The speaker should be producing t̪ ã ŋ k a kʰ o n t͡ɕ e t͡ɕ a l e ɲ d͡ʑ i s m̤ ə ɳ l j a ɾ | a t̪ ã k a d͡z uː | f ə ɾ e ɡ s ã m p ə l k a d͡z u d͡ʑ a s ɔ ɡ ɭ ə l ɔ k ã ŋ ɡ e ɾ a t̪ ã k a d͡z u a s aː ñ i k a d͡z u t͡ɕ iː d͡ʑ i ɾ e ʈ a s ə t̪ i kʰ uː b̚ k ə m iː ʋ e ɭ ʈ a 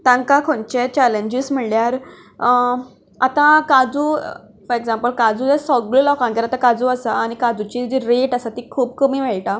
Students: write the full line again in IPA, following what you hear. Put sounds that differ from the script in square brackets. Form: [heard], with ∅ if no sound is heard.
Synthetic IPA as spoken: t̪ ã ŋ k a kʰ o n t͡ɕ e t͡ɕ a l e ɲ d͡ʑ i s m̤ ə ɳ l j a ɾ | a t̪ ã k a d͡z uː | f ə ɾ e ɡ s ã m p ə l k a d͡z u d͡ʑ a s ɔ ɡ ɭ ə l ɔ k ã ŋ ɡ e ɾ a t̪ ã k a d͡z u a s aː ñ i k a d͡z u t͡ɕ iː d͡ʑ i ɾ e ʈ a s [a] t̪ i kʰ uː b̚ k ə m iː ʋ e ɭ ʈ a